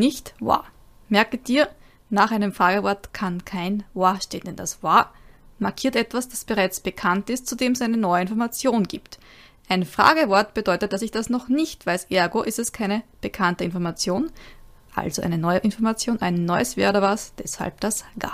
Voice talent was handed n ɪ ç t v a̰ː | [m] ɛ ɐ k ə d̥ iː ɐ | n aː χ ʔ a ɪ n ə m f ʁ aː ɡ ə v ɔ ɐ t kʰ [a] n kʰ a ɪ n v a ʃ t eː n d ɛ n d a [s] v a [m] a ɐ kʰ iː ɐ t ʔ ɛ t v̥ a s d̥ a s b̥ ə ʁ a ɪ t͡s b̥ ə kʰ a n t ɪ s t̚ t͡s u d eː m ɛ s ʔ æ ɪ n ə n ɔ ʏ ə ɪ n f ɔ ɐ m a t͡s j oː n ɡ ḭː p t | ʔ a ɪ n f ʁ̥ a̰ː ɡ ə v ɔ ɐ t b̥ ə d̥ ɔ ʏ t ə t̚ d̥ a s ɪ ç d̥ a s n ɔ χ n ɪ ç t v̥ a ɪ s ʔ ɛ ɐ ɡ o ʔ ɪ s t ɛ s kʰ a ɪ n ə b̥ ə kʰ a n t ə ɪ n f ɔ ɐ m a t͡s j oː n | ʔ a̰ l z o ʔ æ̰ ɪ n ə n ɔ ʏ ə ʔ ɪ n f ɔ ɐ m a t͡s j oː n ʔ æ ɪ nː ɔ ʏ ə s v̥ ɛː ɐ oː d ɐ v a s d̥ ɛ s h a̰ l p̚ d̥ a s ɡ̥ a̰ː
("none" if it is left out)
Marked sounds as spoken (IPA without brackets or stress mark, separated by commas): m, a, s, m